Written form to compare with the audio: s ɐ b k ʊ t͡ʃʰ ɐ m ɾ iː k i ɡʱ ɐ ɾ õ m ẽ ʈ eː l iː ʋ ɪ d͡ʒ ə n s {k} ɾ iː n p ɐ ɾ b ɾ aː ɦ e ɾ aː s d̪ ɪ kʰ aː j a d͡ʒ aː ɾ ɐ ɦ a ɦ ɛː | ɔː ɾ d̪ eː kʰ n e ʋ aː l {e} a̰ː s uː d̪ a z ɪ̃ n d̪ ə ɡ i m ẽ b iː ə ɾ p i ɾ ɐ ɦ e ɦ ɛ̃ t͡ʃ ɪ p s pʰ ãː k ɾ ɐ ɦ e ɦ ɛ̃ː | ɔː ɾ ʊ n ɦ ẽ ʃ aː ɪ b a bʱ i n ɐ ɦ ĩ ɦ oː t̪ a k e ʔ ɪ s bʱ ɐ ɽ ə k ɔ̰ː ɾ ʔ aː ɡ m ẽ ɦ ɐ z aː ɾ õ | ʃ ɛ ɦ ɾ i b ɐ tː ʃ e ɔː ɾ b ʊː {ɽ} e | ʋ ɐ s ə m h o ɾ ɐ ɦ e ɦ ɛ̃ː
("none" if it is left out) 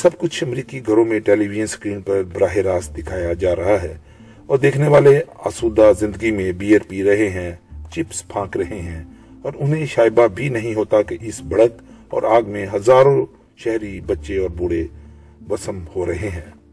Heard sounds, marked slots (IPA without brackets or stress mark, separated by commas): k, e, ɽ